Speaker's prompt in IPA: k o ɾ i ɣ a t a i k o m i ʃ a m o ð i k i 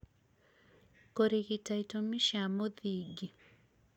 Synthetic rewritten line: k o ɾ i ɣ i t a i t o m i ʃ a m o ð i ɡ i